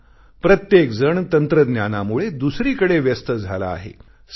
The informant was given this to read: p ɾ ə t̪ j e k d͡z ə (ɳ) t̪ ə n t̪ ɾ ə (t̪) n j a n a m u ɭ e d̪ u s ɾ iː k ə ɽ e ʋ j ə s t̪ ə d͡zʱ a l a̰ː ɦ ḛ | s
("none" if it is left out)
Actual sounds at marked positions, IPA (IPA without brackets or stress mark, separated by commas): ɳ, d̪